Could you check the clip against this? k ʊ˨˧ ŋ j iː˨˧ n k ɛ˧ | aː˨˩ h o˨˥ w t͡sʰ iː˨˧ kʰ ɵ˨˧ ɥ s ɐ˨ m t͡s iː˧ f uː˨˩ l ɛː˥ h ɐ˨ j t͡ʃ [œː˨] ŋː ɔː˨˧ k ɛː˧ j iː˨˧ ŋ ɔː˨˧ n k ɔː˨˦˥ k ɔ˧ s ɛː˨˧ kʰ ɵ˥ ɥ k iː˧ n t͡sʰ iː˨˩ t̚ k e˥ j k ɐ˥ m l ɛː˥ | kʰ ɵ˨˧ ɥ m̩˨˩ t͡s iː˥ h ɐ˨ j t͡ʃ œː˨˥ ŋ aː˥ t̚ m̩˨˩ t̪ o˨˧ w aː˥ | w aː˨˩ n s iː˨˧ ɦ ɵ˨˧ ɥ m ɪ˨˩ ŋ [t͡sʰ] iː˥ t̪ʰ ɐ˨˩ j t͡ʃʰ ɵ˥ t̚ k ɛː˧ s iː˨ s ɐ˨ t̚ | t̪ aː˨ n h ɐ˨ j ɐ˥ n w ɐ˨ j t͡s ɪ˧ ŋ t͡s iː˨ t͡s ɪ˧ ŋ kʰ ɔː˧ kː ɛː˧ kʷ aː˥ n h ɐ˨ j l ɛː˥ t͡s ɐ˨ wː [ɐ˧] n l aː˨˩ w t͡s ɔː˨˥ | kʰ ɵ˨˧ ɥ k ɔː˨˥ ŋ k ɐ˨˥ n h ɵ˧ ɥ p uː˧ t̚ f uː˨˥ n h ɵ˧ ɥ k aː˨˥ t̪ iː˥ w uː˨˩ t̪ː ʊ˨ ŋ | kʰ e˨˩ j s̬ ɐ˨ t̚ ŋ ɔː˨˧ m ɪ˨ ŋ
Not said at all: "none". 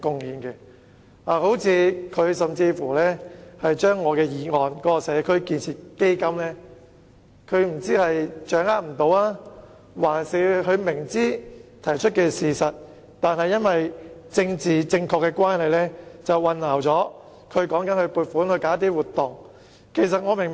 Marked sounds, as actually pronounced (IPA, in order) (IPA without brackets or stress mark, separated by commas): œː˥, t͡s, ɐ˧